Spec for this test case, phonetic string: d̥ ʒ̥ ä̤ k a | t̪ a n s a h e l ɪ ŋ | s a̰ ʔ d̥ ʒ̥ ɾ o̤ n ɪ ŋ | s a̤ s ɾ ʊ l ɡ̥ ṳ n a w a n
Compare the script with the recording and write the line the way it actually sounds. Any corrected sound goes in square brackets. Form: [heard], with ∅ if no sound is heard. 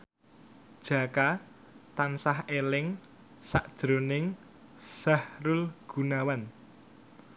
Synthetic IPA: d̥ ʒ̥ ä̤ k a | t̪ a n s a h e l ɪ ŋ | s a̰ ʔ d̥ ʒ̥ ɾ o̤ n ɪ ŋ | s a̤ [h] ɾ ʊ l ɡ̥ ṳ n a w a n